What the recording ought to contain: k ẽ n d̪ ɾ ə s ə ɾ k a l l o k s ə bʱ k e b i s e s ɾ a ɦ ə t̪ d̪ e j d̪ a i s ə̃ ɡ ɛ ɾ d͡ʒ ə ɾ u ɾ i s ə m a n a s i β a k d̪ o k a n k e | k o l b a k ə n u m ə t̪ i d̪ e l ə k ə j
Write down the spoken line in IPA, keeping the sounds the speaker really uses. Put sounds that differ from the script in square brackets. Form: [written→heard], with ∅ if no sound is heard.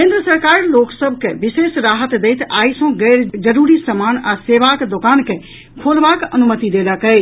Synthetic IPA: k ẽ n d̪ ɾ ə s ə ɾ k a [l→ɾ] l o k s ə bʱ k e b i s e s ɾ a ɦ ə t̪ d̪ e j [d̪→t̪] a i s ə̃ ɡ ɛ ɾ d͡ʒ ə ɾ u ɾ i s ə m a n a s [i→e] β a k d̪ o k a n k e | [k→kʰ] o l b a k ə n u m ə t̪ i d̪ e l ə k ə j